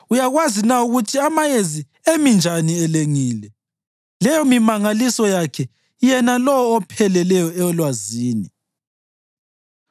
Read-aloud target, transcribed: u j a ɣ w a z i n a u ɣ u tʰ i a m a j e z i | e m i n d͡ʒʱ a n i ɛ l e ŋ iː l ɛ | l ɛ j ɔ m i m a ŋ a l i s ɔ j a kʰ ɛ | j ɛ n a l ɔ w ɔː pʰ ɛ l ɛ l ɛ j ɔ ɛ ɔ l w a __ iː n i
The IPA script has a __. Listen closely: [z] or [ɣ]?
z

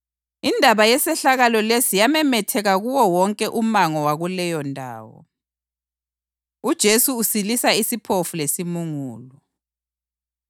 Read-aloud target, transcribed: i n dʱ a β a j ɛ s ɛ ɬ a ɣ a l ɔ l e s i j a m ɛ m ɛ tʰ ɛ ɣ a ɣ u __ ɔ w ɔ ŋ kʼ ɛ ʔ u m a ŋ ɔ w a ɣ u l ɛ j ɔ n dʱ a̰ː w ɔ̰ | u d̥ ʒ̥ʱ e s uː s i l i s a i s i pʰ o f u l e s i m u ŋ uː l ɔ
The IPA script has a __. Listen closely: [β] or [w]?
w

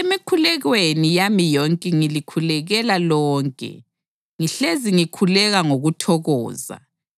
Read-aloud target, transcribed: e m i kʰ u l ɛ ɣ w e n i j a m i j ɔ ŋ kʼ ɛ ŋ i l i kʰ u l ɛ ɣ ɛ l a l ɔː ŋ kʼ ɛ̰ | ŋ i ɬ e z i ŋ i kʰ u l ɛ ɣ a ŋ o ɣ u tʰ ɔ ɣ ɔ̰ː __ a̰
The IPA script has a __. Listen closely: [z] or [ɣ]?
z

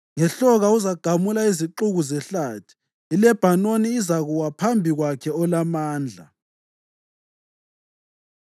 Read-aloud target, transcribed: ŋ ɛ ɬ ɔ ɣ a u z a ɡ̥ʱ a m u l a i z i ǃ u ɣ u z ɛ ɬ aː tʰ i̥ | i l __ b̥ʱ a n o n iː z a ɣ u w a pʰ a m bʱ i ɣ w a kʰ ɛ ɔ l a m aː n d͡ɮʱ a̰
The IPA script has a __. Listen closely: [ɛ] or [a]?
ɛ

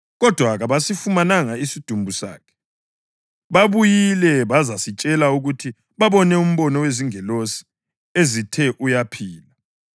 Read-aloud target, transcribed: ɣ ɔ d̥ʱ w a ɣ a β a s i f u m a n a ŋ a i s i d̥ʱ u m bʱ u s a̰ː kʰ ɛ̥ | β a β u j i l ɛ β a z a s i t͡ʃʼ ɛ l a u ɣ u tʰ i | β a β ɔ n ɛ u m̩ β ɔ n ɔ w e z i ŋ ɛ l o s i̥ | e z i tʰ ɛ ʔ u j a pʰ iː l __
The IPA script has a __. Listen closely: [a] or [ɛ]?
a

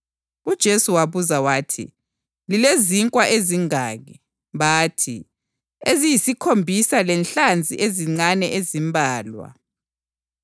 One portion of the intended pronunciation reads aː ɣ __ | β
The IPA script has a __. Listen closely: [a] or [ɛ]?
ɛ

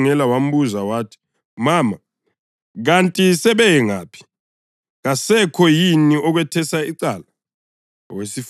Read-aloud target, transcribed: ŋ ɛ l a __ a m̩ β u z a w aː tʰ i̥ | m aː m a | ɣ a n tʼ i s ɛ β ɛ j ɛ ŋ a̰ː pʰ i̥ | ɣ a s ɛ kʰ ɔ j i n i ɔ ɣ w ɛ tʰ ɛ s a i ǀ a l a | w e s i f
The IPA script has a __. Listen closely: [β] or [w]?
w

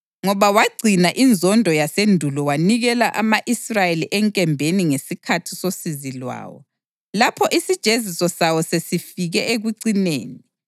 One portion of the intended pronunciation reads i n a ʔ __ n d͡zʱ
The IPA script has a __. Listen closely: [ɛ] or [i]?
i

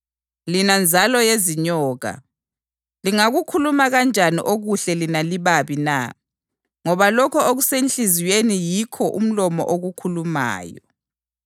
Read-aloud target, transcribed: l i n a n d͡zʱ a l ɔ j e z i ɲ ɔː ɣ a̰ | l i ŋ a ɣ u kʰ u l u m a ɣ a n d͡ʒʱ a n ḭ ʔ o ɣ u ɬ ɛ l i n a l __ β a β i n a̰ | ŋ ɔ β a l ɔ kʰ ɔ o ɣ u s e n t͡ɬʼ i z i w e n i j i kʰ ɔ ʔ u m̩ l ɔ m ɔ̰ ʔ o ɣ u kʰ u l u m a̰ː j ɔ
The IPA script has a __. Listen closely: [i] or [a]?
i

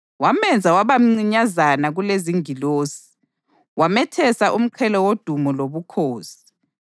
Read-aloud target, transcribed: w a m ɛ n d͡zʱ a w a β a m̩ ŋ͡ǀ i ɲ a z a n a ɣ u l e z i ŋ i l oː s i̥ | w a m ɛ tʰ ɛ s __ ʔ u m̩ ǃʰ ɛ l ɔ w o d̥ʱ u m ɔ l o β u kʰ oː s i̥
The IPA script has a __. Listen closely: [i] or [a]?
a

